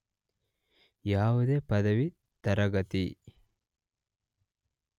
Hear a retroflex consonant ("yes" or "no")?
no